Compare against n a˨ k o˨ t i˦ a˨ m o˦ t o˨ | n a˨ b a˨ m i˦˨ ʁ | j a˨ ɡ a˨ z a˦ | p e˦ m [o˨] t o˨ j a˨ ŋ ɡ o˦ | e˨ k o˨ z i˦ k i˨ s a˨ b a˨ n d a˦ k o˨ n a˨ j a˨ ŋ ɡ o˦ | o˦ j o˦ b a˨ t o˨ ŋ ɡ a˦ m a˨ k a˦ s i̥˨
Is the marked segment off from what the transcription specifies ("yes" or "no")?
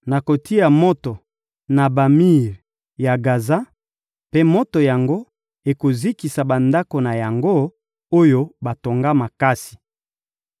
yes